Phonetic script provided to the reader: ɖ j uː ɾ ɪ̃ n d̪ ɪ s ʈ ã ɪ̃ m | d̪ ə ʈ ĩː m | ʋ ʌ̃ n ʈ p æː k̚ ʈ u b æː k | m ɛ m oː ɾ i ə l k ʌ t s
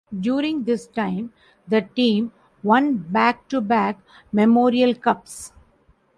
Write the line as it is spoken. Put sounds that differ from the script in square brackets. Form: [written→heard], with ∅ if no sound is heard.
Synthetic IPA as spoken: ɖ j uː ɾ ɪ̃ [n→ŋ] d̪ ɪ s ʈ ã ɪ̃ m | d̪ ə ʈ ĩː m | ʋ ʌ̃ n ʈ [p→b] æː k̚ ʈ u b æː k | m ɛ m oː ɾ i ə l k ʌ [t→p] s

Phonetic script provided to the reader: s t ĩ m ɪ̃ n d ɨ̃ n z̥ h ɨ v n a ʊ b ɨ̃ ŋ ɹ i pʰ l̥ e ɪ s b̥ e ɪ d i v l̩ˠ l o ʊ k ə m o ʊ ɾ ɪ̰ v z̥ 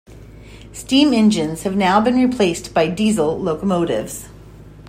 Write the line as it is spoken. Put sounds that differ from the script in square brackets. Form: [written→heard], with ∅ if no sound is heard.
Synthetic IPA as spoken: s t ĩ m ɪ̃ n [d→d͡ʒ] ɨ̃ n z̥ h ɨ v n a ʊ b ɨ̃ [ŋ→n] ɹ i pʰ l̥ e ɪ s b̥ [e→a] ɪ d i [v→z] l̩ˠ l o ʊ k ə m o ʊ ɾ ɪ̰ v z̥

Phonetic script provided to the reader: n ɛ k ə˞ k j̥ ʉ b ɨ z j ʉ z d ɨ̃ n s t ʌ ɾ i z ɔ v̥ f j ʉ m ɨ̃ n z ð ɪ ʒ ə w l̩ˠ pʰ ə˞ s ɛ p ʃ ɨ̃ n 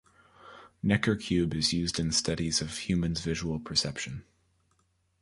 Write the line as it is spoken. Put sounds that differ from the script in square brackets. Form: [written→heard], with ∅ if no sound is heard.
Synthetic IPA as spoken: n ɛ k ə˞ [k→kʰ] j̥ ʉ b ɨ z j ʉ z d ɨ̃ n s t ʌ ɾ i z [ɔ→ʌ] v̥ [f→h] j ʉ m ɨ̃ n z [ð→v] ɪ ʒ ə w l̩ˠ pʰ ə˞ s ɛ p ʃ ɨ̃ n

